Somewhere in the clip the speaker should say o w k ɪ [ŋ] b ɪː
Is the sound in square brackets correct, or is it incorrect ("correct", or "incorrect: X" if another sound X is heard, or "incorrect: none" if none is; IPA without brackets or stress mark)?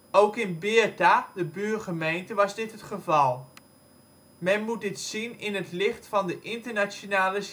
incorrect: n